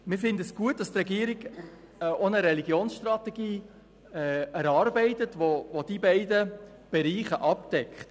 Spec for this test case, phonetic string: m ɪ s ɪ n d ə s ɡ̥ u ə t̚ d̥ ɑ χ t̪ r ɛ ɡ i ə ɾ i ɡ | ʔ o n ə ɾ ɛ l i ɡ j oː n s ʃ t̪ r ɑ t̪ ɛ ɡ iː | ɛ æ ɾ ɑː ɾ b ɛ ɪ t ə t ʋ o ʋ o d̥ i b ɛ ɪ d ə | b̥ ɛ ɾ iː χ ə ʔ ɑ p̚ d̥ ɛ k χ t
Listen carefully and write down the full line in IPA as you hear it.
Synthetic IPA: m ɪ f ɪ n d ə s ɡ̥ u ə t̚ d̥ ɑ s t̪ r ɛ ɡ i ə ɾ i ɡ | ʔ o n ə ɾ ɛ l i ɡ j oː n s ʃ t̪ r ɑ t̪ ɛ ɡ iː | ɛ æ ɾ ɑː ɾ b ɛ ɪ t ə t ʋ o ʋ o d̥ i b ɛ ɪ d ə | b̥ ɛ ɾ iː χ ə ʔ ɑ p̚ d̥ ɛ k χ t